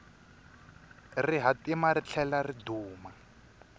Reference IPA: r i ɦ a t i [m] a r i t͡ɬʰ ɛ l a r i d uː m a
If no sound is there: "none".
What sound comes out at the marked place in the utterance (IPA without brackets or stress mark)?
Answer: m